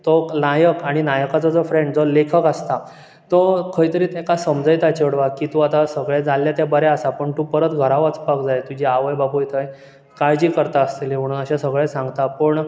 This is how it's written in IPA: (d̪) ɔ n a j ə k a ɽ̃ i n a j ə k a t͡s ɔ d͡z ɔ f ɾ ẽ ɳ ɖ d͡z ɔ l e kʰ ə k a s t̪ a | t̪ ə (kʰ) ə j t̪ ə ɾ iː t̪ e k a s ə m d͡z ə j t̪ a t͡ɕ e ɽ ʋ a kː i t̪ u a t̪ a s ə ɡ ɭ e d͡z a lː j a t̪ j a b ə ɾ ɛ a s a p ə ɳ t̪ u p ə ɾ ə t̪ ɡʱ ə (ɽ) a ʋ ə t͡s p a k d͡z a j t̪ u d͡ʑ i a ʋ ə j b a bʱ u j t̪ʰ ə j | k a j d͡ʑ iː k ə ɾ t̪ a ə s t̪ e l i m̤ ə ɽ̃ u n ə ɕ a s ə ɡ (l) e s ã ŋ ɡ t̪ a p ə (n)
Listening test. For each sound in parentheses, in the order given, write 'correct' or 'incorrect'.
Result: incorrect: t̪, correct, incorrect: ɾ, incorrect: ɭ, incorrect: ɳ

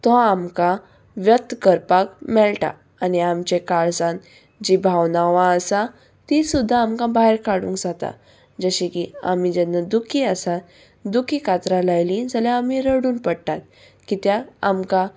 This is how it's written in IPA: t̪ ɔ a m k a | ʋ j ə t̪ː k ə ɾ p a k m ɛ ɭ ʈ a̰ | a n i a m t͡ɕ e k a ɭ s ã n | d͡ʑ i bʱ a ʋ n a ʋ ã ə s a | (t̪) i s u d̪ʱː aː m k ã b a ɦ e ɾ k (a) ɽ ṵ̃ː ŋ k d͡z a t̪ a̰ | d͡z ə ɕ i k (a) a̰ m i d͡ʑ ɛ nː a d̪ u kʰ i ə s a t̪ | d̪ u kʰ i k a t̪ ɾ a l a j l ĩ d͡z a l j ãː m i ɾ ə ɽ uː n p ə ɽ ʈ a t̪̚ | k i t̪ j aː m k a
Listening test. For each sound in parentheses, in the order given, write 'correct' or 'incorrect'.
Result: correct, correct, incorrect: i

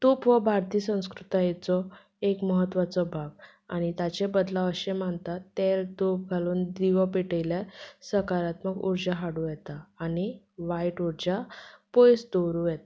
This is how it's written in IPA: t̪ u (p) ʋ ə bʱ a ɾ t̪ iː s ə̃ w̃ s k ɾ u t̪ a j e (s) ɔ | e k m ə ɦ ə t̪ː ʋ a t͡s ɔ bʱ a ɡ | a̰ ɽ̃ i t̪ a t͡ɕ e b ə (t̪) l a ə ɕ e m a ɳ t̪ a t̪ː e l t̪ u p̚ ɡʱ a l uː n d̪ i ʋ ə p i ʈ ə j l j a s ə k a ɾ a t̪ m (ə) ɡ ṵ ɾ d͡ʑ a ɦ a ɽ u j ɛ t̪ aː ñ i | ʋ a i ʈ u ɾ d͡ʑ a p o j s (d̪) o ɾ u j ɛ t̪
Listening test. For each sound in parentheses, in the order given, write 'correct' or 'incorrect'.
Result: correct, incorrect: t͡s, incorrect: d̪, correct, correct

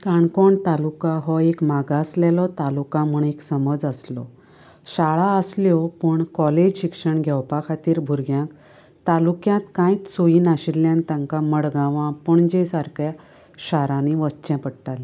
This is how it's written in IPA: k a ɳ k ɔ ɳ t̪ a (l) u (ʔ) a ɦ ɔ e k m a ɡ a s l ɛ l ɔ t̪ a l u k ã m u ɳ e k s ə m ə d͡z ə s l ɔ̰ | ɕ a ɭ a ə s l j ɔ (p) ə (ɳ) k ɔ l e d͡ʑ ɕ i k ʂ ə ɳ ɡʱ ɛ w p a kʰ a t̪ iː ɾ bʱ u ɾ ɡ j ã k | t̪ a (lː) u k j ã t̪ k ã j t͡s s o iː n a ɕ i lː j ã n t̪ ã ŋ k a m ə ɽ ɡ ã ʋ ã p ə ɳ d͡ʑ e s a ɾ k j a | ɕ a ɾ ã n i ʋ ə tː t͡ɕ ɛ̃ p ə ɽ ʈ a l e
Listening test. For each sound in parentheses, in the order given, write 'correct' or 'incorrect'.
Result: correct, incorrect: k, correct, correct, incorrect: l

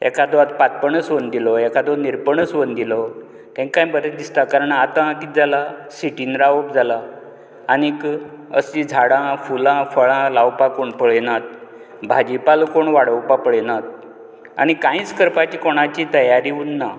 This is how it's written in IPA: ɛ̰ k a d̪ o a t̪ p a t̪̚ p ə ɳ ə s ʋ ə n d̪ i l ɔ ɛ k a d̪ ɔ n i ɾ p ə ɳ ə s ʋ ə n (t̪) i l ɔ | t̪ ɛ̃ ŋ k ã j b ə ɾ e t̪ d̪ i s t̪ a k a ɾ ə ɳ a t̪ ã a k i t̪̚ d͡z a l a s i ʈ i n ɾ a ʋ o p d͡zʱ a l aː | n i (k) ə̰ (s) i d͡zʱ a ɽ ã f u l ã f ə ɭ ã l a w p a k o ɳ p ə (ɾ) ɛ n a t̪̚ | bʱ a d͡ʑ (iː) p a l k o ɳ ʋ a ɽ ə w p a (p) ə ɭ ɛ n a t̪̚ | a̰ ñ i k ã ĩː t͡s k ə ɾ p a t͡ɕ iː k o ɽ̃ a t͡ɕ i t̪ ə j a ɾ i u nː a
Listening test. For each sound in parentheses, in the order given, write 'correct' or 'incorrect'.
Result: incorrect: d̪, correct, correct, incorrect: ɭ, incorrect: i, correct

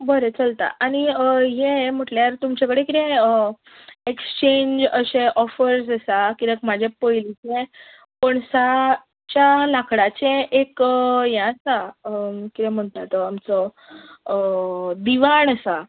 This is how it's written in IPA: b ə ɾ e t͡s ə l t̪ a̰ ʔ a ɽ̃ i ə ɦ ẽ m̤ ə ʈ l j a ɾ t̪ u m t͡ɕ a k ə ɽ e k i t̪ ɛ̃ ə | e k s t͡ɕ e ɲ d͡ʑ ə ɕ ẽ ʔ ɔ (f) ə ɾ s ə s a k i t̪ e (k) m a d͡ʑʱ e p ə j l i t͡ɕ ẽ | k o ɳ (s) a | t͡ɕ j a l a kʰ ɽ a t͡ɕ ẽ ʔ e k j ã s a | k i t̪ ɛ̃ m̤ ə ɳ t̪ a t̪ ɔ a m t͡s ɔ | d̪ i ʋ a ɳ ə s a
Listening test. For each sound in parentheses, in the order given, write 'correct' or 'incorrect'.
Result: correct, correct, correct

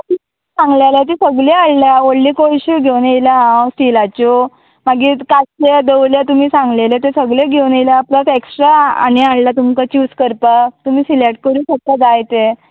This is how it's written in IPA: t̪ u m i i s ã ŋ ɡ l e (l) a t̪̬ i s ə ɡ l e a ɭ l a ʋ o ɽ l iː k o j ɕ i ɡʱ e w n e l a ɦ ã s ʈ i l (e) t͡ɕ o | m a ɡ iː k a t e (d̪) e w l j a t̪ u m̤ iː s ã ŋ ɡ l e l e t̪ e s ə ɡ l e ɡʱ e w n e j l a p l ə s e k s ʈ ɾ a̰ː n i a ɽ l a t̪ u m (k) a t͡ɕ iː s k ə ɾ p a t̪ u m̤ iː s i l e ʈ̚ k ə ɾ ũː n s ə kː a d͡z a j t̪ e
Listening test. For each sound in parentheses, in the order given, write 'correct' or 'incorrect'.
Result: correct, incorrect: a, correct, correct

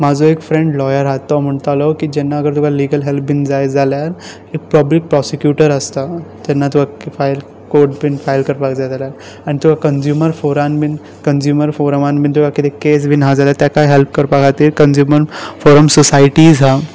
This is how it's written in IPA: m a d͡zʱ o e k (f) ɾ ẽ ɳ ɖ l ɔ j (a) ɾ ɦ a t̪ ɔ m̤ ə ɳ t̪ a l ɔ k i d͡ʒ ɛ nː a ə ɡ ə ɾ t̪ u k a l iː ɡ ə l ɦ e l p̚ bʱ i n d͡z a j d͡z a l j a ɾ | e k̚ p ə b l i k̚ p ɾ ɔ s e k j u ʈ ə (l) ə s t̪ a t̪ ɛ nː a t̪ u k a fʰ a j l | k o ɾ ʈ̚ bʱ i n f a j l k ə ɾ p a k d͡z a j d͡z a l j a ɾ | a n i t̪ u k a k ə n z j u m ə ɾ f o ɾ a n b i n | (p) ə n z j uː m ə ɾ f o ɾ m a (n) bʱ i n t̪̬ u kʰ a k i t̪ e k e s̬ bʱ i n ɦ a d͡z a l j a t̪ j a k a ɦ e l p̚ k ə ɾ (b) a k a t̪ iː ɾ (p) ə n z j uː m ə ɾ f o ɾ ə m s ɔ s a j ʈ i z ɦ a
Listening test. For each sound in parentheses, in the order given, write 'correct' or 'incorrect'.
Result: correct, incorrect: ə, incorrect: ɾ, incorrect: k, correct, incorrect: p, incorrect: k

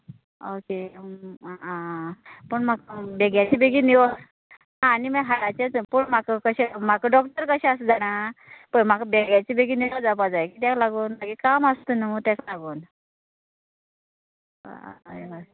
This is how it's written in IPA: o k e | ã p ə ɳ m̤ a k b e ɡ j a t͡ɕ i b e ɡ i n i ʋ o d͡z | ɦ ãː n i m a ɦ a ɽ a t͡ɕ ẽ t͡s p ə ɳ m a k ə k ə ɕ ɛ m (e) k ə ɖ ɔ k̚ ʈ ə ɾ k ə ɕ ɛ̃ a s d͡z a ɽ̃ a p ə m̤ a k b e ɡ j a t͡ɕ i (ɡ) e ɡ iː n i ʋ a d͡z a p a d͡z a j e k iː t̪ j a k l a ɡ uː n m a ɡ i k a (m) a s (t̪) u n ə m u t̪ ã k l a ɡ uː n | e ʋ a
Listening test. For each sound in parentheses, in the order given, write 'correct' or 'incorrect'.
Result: incorrect: a, incorrect: b, correct, correct

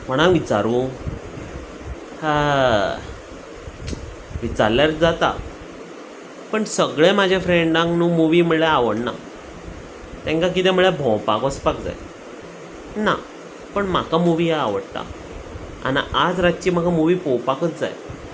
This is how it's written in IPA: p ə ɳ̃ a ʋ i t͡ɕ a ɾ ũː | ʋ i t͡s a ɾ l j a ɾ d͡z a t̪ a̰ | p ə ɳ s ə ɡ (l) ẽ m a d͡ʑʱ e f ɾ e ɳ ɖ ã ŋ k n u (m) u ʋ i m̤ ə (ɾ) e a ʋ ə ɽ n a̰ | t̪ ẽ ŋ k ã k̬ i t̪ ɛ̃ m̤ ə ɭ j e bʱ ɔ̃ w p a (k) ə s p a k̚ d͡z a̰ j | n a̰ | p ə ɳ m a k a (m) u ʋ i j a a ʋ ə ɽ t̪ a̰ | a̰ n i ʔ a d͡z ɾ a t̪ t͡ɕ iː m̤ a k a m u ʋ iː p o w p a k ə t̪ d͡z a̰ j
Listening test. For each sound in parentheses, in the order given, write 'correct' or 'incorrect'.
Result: incorrect: ɭ, correct, incorrect: ɭ, correct, correct

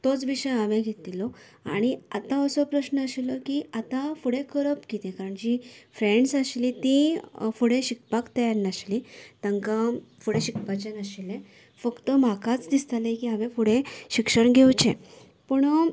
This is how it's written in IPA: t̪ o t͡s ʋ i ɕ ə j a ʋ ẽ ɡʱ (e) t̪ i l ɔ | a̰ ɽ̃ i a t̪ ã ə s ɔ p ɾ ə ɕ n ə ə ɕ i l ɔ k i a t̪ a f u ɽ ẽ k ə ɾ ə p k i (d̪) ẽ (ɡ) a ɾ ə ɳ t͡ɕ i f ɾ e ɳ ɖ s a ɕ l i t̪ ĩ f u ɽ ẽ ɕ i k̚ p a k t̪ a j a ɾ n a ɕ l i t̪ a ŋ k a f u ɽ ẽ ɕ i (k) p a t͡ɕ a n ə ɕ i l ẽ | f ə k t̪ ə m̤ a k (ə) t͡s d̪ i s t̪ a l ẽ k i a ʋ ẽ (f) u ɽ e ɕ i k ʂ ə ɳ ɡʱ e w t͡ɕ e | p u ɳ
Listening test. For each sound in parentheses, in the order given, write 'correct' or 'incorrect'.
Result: correct, incorrect: t̪, incorrect: k, correct, incorrect: a, correct

